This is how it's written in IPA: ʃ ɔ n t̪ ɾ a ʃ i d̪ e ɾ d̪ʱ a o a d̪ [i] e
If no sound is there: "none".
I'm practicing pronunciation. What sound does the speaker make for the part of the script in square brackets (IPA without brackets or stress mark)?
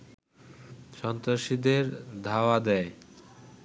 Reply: ɛ